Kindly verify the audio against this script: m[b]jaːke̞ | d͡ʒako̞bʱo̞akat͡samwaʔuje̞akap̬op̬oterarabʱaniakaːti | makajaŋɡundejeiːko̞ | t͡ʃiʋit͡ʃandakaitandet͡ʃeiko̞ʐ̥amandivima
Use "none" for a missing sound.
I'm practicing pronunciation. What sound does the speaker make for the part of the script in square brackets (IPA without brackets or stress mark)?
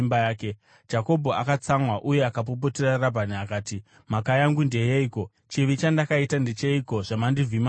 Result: b